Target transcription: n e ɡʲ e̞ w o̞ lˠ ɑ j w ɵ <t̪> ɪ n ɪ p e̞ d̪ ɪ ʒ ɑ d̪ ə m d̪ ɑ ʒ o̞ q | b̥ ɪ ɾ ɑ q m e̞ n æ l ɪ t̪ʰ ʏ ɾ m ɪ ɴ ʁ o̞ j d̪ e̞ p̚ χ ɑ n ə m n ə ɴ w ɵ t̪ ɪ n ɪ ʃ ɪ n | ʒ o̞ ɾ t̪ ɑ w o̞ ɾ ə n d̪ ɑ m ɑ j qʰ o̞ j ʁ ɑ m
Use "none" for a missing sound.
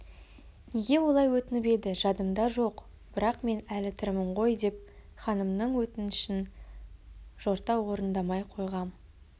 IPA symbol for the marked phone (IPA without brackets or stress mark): t̪